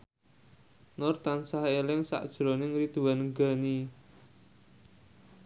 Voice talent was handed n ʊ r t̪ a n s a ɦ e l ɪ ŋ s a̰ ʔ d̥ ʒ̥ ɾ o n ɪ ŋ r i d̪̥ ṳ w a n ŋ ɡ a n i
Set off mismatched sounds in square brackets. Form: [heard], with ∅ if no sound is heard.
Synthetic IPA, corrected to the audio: n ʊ r t̪ a n s a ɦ e l ɪ ŋ s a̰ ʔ d̥ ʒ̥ ɾ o n ɪ ŋ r i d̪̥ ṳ w a n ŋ ɡ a n i